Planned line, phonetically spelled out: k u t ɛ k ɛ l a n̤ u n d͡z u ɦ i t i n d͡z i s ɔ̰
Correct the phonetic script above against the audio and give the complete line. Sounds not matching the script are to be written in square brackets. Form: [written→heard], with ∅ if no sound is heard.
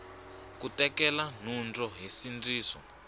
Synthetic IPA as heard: k u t ɛ k ɛ l a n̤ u n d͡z [u→ɔ] ɦ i [t→s] i n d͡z [i→iː] s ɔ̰